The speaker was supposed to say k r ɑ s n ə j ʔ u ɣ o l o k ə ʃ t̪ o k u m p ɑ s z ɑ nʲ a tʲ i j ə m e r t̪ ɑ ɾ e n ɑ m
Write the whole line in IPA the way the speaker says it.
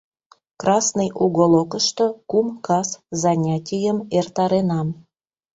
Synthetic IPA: k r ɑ s n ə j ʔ u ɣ o l o k ə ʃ t̪ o k u m k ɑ s z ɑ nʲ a tʲ i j ə m e r t̪ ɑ ɾ e n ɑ m